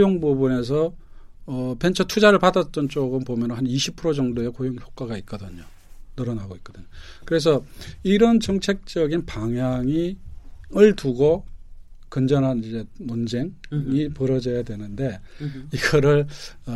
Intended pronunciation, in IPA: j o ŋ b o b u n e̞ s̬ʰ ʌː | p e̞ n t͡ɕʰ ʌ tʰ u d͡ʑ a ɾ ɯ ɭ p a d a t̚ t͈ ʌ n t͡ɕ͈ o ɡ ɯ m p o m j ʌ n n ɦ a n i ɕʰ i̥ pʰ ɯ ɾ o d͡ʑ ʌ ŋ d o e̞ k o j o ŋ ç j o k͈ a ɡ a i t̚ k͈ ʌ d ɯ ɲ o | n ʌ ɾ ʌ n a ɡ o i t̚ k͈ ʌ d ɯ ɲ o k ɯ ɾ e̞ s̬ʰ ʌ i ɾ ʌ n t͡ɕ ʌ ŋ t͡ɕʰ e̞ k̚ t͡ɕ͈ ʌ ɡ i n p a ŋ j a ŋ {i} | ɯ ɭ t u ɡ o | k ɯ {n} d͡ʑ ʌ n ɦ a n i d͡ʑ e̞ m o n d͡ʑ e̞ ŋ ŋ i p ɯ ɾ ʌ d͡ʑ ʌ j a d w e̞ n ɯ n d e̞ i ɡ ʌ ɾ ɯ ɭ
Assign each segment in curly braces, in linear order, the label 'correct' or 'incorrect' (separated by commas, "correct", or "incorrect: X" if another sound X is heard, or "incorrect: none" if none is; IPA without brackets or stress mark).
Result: correct, correct